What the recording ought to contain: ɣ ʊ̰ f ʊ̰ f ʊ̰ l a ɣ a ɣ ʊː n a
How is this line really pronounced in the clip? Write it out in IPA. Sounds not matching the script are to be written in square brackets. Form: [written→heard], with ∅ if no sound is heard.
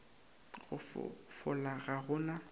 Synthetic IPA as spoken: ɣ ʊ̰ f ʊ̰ f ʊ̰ l a ɣ a ɣ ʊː n a